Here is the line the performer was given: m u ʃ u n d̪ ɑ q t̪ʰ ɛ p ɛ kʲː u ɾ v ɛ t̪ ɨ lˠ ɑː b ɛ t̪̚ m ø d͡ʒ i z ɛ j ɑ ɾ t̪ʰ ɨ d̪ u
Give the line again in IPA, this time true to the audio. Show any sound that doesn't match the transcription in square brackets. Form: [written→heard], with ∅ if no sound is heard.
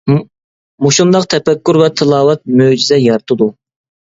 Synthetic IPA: m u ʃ u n d̪ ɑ q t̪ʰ ɛ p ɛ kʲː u ɾ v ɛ [t̪→t̪ʰ] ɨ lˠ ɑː [b→w] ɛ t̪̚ m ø d͡ʒ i z ɛ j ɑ ɾ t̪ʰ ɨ d̪ u